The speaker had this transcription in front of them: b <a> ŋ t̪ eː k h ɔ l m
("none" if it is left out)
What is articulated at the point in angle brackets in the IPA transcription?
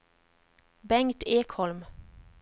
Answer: ɛ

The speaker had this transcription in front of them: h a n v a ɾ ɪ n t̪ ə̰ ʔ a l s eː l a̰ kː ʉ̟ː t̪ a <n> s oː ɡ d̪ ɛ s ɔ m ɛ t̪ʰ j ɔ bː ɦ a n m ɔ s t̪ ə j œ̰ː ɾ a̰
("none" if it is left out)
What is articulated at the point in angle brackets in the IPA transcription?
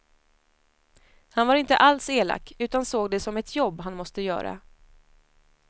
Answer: n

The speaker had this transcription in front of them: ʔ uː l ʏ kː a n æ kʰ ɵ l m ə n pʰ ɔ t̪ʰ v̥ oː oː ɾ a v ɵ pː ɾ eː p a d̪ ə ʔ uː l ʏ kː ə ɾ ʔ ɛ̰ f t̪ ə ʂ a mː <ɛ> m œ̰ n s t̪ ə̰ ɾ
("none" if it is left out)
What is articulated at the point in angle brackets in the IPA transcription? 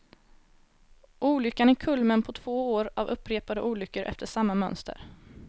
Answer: a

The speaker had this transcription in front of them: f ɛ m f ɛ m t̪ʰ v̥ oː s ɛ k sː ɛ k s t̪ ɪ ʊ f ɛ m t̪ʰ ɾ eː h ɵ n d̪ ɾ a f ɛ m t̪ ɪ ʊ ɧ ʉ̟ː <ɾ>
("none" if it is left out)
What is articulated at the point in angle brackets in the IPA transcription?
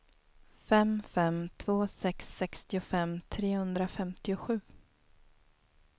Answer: none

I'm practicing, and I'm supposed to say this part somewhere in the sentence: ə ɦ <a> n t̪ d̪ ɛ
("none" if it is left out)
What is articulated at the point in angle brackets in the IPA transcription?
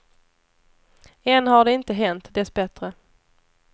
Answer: ɛ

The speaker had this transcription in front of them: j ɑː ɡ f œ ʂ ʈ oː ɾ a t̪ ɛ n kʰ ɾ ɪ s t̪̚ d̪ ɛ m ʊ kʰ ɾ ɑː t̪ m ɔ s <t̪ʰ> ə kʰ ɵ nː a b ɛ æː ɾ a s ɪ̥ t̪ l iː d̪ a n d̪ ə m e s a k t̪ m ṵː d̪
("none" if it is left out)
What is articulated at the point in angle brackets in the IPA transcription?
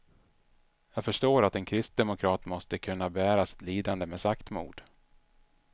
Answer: t̪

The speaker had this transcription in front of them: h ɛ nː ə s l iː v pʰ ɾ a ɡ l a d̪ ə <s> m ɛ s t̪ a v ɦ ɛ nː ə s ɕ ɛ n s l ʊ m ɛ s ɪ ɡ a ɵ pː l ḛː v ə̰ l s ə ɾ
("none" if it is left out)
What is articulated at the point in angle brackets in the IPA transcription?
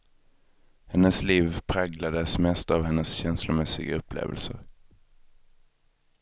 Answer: s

